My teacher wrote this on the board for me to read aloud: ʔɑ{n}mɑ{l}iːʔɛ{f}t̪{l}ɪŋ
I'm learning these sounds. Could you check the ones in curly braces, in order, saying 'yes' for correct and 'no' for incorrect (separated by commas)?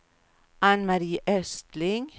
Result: yes, no, no, yes